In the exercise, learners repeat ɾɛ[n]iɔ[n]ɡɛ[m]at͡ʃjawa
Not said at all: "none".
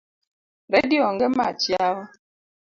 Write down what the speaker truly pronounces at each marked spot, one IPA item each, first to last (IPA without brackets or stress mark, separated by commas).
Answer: d, ŋ, m